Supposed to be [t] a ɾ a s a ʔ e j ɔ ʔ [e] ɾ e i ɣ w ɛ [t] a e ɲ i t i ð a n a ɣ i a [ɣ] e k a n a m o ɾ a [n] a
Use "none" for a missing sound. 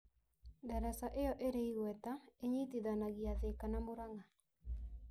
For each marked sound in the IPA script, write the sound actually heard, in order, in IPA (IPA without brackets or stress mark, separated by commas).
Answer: d, e, t, ð, ŋ